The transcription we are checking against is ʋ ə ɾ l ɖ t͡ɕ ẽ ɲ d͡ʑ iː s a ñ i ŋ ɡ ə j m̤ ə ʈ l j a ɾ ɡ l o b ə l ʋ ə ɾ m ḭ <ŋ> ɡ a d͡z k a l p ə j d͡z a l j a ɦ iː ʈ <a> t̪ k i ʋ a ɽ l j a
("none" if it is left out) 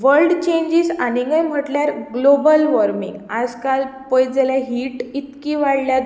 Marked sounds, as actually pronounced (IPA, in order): ŋ, i

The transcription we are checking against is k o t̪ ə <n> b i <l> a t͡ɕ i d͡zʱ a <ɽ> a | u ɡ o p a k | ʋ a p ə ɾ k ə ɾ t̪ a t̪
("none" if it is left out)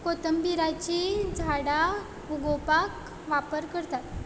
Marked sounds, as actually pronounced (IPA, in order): m, ɾ, ɽ

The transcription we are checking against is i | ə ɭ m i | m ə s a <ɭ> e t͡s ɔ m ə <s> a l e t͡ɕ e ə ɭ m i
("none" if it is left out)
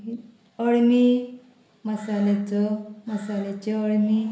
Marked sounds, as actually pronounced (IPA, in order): l, s

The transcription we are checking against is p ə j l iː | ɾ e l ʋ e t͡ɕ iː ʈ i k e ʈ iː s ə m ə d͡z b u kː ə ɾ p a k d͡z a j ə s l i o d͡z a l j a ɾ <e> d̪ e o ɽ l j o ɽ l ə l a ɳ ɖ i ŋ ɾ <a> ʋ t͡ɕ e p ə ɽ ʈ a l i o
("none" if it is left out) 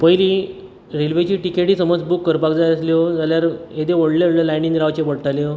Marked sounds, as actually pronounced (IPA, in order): e, a

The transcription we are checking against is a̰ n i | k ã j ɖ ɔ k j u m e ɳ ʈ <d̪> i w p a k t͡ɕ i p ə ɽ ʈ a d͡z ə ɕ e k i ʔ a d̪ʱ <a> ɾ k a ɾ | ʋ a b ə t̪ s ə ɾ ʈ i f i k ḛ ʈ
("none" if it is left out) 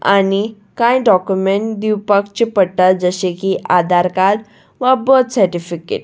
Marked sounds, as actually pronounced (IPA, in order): d̪, a

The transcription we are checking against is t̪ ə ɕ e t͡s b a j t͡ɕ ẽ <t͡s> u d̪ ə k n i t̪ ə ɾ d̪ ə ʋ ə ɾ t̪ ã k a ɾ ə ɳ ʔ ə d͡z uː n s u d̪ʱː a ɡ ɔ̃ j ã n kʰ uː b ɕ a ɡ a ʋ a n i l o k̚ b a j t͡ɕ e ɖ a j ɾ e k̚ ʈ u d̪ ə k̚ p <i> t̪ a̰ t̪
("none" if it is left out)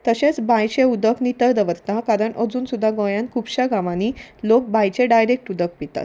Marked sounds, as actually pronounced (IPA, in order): none, i

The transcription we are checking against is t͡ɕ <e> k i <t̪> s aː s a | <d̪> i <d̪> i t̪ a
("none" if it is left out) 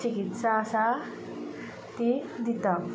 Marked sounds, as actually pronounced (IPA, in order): i, t̪, t̪, d̪

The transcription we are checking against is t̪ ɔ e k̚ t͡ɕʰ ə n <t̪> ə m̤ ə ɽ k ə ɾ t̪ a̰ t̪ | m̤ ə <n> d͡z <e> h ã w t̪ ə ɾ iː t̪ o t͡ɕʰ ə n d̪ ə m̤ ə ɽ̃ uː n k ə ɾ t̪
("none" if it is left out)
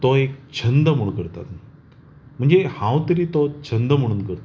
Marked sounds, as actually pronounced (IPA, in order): d̪, ɳ, e

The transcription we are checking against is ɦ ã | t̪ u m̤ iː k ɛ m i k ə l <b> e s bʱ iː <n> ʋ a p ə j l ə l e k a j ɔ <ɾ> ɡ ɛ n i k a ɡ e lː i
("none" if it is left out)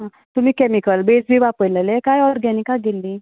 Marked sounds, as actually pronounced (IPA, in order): b, none, ɾ

